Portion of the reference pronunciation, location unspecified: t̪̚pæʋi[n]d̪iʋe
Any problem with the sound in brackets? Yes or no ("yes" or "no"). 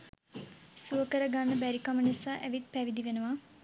yes